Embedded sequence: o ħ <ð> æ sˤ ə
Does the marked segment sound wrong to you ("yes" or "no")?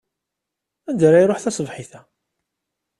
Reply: yes